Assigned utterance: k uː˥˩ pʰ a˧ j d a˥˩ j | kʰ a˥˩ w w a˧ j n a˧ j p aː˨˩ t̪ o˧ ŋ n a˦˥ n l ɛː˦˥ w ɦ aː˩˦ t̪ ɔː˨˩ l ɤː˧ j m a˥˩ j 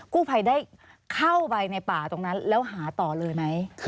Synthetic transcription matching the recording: k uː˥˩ pʰ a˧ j d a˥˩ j | kʰ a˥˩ w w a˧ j n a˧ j p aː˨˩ t̪ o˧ ŋ n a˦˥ n l ɛː˦˥ w ɦ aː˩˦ t̪ ɔː˨˩ l ɤː˧ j m a˦˥ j